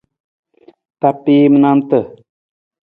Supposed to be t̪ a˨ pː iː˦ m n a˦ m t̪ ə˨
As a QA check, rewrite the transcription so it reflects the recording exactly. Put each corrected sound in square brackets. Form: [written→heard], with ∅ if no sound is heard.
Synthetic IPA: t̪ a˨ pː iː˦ m n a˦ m t̪ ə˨